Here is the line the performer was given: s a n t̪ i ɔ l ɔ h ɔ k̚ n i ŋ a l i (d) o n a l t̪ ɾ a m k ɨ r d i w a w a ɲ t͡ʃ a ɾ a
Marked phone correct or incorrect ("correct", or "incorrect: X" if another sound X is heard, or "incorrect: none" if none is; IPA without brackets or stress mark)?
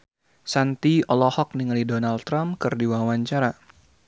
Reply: correct